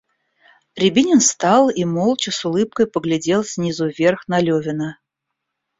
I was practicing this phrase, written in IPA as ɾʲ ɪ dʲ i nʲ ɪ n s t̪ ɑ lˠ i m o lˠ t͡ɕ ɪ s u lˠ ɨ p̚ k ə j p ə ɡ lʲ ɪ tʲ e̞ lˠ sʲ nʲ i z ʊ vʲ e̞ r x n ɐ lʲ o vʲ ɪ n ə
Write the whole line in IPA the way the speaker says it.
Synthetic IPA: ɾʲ ɪ bʲ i nʲ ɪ n s t̪ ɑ lˠ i m o lˠ t͡ɕ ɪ s ʊ lˠ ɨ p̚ k ə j p ə ɡ lʲ ɪ dʲ e̞ lˠ sʲ nʲ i z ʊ vʲ e̞ r x n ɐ lʲ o vʲ ɪ n ə